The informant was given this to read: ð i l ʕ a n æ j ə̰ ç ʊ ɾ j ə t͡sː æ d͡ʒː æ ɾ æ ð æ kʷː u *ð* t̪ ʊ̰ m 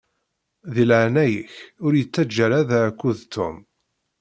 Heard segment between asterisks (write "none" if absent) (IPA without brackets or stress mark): ð